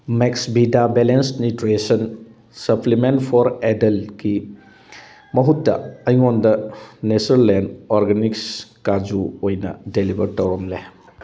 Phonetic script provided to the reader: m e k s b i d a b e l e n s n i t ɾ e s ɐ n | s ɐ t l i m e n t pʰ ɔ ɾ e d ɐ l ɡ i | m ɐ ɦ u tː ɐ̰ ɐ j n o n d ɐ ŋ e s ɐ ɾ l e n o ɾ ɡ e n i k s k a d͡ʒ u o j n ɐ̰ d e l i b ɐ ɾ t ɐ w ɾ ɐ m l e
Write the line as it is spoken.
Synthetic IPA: m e k s b i d a b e l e n s n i t ɾ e s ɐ n | s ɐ p l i m e n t pʰ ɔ ɾ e d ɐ l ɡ i | m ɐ ɦ u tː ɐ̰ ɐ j ŋ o n d ɐ n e s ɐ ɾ l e n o ɾ ɡ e n i k s k a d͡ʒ u o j n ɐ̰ d e l i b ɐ ɾ t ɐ w ɾ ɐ m l e